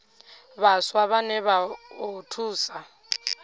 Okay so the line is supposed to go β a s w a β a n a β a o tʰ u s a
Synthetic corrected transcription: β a s w a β a n ɛ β a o tʰ uː s a